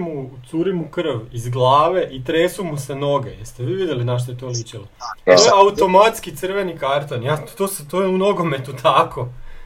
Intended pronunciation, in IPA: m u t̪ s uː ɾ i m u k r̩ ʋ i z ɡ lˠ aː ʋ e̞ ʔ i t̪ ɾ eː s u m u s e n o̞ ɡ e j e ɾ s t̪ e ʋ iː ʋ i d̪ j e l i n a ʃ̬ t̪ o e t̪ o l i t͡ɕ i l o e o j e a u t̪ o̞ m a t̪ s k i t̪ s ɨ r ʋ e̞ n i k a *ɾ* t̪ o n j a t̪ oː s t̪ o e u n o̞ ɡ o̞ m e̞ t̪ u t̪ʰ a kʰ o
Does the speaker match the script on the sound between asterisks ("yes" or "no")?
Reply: yes